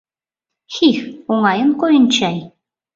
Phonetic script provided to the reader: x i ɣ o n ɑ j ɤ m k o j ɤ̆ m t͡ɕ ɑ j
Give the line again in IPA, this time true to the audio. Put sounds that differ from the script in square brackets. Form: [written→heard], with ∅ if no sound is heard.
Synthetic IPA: x i [ɣ→x] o [n→ŋ] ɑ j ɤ [m→n] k o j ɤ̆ [m→n] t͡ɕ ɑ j